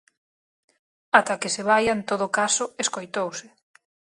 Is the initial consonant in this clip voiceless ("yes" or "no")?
yes